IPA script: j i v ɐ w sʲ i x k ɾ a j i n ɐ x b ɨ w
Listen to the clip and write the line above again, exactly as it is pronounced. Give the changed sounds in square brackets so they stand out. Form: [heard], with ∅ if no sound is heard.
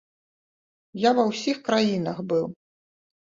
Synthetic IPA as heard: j [a] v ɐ w sʲ i x k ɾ a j i n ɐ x b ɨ w